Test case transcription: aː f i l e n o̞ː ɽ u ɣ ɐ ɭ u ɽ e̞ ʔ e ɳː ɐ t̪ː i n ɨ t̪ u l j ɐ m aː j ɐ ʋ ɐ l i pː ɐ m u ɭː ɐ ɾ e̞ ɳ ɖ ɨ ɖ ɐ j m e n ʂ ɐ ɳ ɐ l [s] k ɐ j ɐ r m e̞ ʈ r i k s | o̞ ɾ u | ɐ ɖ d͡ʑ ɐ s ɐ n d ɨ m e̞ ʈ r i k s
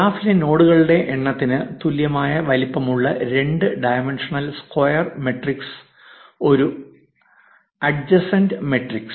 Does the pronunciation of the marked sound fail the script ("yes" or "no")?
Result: no